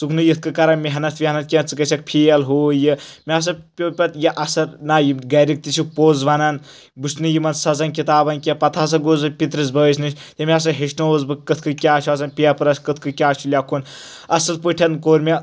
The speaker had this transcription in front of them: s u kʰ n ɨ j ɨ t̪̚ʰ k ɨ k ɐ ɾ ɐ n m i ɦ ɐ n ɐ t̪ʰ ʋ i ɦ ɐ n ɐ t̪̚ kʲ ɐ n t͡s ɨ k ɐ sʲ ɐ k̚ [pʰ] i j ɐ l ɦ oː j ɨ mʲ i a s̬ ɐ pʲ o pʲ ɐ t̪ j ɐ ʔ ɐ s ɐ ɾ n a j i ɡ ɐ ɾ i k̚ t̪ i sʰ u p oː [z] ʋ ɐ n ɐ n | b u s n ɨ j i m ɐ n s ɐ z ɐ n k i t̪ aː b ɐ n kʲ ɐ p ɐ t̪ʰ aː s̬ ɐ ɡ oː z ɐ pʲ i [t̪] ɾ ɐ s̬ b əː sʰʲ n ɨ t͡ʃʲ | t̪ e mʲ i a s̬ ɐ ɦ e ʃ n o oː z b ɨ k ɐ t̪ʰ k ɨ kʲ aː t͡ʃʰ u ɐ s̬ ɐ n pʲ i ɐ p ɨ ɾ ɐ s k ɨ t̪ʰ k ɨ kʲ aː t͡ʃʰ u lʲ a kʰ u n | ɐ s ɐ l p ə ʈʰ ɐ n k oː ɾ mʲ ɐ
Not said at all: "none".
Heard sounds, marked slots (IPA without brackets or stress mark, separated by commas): pʰ, z, t̪